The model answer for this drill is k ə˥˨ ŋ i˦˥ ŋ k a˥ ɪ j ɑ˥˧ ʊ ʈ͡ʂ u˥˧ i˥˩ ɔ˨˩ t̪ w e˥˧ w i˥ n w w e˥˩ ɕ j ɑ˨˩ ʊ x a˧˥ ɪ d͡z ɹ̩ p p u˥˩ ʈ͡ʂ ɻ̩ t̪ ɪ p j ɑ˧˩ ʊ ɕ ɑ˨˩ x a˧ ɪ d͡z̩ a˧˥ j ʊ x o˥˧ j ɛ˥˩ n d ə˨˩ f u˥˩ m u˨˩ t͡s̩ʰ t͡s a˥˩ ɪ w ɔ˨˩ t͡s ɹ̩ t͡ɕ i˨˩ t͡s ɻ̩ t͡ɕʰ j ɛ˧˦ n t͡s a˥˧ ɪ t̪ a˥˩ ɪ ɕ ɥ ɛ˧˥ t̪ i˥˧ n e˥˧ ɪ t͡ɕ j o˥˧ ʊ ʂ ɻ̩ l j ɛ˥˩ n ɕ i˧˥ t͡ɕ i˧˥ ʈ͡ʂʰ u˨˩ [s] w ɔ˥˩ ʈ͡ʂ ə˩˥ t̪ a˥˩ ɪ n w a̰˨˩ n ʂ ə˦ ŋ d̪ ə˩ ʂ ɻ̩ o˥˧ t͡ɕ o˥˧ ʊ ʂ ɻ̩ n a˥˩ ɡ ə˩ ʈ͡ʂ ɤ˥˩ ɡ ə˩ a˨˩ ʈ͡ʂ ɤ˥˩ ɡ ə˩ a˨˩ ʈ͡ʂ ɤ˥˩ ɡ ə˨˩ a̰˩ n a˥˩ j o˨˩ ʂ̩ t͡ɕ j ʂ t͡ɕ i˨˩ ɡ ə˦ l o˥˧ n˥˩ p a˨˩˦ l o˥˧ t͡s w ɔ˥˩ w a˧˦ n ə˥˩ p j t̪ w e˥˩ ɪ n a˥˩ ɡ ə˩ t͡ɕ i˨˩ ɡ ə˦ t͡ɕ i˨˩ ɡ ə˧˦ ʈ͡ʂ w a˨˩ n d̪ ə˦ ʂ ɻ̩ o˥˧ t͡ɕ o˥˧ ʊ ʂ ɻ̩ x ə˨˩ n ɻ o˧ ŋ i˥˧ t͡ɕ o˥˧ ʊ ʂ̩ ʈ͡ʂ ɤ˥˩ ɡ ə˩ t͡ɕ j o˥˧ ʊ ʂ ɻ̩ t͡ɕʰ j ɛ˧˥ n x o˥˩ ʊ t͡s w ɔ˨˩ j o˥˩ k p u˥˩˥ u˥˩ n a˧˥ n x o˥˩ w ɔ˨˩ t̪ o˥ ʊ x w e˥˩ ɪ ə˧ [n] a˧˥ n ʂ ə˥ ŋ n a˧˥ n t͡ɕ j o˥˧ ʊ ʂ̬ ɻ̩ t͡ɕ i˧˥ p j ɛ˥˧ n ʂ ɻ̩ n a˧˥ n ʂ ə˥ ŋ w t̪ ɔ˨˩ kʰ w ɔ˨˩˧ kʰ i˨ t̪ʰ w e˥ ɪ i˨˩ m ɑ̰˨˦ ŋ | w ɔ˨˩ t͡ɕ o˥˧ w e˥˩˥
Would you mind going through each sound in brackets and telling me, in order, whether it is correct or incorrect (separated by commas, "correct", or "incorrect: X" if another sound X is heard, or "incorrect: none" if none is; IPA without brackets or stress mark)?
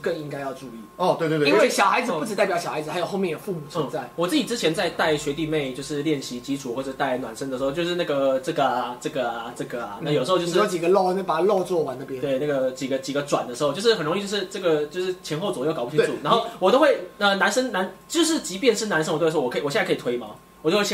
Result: incorrect: x, correct